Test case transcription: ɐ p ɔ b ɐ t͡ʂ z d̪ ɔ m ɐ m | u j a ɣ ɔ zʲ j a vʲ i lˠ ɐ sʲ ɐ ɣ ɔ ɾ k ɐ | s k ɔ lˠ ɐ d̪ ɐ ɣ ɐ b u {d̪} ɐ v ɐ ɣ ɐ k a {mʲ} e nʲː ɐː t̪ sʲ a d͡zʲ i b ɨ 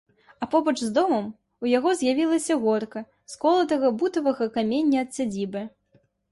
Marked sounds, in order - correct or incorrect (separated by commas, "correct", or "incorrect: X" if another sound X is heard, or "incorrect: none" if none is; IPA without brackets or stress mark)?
incorrect: t̪, correct